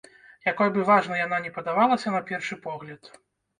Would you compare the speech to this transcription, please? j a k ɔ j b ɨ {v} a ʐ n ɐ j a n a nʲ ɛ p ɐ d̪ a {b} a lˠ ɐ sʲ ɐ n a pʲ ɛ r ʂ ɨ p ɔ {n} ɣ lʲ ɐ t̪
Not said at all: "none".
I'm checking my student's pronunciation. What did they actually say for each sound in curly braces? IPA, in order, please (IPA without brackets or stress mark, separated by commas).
v, v, none